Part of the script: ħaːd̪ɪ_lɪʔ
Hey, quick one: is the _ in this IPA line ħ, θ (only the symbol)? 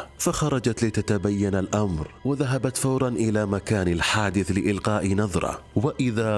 θ